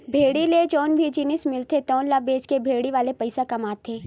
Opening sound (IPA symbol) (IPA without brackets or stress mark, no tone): bʱ